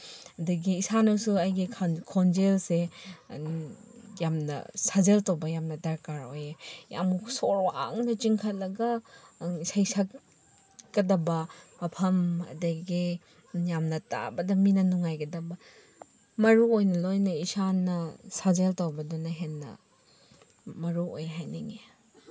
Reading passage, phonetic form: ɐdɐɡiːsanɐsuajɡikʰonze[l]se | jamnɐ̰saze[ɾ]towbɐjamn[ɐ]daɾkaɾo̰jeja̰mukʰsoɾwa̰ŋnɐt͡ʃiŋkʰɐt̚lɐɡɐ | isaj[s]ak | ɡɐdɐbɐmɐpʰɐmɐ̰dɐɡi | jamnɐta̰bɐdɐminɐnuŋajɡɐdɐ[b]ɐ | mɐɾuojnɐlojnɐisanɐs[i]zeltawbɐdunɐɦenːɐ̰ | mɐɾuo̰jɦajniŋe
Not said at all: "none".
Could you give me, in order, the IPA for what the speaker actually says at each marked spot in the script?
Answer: l, l, ɐ, s, b, a

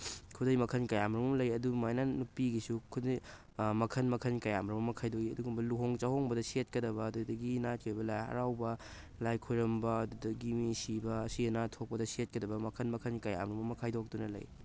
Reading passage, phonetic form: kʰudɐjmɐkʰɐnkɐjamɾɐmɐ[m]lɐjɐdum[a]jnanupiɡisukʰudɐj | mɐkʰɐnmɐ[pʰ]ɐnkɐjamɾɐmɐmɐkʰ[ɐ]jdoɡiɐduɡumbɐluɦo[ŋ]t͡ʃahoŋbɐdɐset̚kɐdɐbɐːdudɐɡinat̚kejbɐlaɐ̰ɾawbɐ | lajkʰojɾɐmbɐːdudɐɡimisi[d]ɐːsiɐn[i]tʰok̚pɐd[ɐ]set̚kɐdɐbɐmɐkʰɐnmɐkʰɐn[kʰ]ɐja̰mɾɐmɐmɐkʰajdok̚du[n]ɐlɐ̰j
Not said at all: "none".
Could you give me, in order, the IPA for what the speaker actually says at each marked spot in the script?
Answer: m, a, kʰ, a, ŋ, b, a, ɐ, k, n

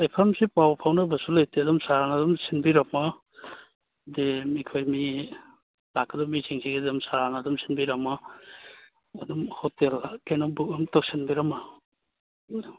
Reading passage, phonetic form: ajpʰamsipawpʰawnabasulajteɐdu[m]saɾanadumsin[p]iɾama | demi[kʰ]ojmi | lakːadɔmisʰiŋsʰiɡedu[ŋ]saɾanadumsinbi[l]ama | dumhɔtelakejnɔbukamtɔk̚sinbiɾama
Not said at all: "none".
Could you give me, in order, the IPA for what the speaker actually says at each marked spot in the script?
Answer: m, b, kʰ, m, ɾ

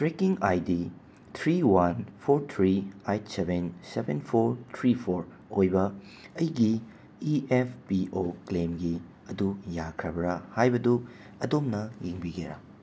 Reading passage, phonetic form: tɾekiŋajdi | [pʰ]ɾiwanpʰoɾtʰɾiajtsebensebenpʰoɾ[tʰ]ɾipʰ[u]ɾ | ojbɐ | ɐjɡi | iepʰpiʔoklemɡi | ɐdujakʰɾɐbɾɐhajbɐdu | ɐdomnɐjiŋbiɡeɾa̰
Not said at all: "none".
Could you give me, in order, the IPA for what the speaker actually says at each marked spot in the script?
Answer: tʰ, tʰ, o

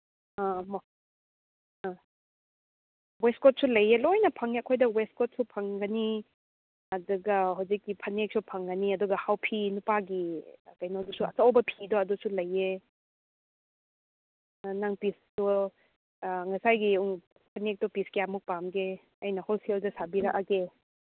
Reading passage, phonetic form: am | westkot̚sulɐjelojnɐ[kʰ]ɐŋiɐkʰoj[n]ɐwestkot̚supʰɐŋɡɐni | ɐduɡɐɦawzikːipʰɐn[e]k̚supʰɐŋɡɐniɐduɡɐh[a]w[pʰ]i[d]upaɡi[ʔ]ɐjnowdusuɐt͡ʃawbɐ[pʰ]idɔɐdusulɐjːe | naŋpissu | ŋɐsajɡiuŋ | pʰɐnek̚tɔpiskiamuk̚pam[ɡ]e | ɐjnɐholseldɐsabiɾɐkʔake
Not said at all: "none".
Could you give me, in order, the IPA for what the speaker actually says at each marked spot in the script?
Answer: pʰ, d, e, a, pʰ, n, k, pʰ, ɡ

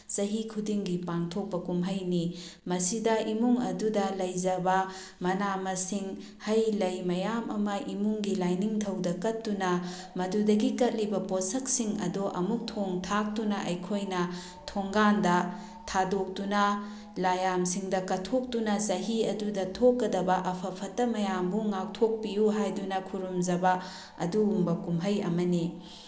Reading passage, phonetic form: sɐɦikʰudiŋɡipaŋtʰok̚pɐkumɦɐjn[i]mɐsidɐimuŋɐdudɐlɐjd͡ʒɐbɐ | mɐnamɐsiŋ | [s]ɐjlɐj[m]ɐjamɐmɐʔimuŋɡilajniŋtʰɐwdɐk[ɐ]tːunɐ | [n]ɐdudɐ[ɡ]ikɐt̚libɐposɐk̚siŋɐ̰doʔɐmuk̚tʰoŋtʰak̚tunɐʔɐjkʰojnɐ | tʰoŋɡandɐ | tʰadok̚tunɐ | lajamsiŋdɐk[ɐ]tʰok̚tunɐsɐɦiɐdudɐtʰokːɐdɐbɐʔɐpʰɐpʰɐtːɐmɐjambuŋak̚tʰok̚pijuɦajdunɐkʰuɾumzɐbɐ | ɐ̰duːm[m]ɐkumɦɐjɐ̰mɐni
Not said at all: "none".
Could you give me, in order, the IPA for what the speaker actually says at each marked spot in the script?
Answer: i, h, m, ɐ, m, ɡ, ɐ, b

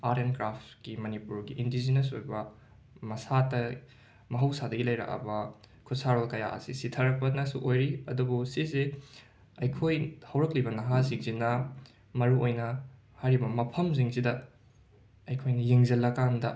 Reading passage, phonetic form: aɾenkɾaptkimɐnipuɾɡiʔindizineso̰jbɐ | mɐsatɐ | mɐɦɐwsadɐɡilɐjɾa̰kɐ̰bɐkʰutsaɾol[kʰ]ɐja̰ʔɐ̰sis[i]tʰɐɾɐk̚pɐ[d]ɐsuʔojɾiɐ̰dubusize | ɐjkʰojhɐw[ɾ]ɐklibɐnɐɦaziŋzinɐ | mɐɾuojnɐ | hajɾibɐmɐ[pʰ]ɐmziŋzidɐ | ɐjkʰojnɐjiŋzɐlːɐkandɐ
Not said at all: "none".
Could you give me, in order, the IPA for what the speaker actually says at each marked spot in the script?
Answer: k, i, n, ɾ, pʰ

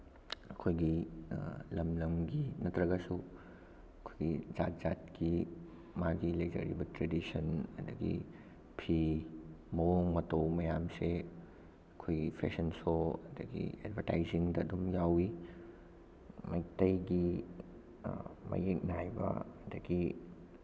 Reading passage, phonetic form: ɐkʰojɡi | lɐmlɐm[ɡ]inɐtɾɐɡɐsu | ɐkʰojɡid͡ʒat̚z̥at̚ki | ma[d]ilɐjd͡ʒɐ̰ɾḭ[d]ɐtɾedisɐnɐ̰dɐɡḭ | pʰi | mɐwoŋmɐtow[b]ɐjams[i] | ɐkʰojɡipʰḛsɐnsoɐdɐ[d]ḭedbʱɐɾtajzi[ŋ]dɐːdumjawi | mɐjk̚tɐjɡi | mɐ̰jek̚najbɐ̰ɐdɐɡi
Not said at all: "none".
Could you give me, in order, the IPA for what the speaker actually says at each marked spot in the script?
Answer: ɡ, ɡ, b, m, e, ɡ, ŋ

